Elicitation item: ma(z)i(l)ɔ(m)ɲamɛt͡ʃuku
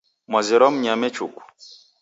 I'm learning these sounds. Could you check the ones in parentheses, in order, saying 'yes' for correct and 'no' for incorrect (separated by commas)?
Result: yes, no, yes